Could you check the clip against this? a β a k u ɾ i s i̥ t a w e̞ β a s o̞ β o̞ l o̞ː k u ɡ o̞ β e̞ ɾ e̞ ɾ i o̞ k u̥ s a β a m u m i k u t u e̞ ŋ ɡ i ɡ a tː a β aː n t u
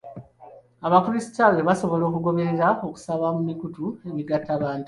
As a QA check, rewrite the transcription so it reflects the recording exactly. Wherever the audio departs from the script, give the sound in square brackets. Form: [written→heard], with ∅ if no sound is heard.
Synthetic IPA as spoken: a β a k u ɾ i s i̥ t a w e̞ β a s o̞ β o̞ l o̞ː k u ɡ o̞ β e̞ ɾ e̞ ɾ [i→a] o̞ k u̥ s a β a m u m i k u t u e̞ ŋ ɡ i ɡ a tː a β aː n t u

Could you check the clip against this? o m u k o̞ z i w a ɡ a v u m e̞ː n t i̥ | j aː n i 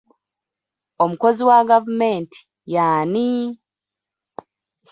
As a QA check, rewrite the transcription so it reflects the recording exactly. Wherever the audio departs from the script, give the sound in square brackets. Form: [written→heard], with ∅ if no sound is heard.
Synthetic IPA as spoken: o m u k o̞ z i w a ɡ a v u m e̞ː n t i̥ | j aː n i

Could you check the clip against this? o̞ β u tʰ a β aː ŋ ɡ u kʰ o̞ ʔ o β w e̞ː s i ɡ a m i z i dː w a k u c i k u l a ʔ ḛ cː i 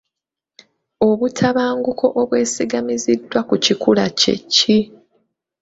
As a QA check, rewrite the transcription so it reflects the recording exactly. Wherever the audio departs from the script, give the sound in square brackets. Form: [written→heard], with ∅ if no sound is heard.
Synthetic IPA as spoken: o̞ β u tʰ a β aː ŋ ɡ u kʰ o̞ ʔ o β w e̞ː s i ɡ a m i z i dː w a k u c i k u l a [ʔ→c] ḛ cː i

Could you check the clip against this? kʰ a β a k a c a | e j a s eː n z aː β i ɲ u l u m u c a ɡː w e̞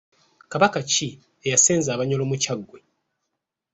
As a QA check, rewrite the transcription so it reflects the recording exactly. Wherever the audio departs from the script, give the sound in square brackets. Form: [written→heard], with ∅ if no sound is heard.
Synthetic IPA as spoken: [kʰ→k] a β a k a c [a→i] | e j a s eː n z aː β [i→a] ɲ [u→o] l [u→o] m u c a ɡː w e̞

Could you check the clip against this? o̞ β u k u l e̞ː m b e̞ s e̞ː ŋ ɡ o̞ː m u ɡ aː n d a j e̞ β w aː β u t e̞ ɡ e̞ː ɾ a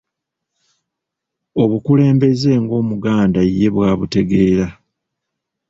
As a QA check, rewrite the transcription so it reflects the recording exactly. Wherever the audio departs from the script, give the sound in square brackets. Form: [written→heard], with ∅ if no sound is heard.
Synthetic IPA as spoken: o̞ β u k u l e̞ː m b e̞ [s→z] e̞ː ŋ ɡ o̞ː m u ɡ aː n d a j e̞ β w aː β u t e̞ ɡ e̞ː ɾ a

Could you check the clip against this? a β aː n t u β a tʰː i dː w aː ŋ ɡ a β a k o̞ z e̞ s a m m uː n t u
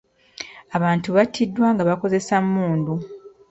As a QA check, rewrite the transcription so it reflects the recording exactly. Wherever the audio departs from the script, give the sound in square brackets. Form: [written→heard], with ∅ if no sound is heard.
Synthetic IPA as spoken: a β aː n t u β a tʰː i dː w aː ŋ ɡ a β a k o̞ z e̞ s a m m uː n [t→d] u

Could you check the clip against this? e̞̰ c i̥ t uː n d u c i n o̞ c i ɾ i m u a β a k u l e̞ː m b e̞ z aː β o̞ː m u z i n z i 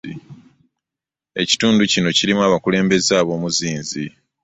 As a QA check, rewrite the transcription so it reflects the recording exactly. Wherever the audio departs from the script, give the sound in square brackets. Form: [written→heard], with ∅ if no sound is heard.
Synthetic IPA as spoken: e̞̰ c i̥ t uː n d u c i n o̞ c i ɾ i m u a β a k u l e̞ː m b e̞ z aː β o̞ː m u z [i→iː] n z i

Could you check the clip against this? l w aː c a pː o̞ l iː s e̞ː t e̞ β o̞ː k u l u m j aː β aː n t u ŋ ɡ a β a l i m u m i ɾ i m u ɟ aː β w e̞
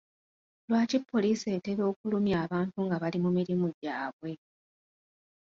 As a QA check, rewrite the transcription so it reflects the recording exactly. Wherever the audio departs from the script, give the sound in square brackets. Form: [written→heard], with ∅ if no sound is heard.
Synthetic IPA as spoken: l w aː c [a→i] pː o̞ l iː s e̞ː t e̞ β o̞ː k u l u m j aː β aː n t u ŋ ɡ a β a l i m u m i ɾ i m u ɟ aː β w e̞

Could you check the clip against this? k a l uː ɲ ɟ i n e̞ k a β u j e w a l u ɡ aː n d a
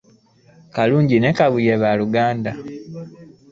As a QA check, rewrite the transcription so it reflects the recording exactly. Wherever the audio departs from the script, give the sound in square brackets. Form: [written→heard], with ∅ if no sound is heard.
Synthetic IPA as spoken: k a l uː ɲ ɟ i n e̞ k a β u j e [w→β] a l u ɡ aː n d a

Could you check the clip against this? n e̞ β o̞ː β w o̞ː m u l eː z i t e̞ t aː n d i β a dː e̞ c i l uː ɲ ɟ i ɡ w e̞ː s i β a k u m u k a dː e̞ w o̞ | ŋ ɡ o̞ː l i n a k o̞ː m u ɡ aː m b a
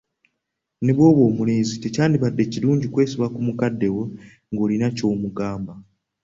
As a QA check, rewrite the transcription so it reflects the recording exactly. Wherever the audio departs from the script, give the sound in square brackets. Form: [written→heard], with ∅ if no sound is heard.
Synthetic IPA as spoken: n e̞ β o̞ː β w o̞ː m u l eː z i t e̞ [t→c] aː n d i β a dː e̞ c i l uː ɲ ɟ i [ɡ→k] w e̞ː s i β a k u m u k a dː e̞ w o̞ | ŋ ɡ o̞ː l i n a [k→c] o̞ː m u ɡ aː m b a

